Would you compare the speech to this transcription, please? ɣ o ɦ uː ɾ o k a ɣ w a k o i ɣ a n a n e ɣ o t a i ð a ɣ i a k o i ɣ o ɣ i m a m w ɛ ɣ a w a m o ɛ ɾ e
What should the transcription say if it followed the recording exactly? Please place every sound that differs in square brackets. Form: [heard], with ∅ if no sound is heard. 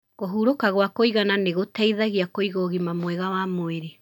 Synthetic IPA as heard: ɣ o ɦ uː ɾ o k a ɣ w a k o i ɣ a n a n e ɣ o t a i ð a ɣ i a k o i ɣ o ɣ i m a m w ɛ ɣ a w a m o [e] ɾ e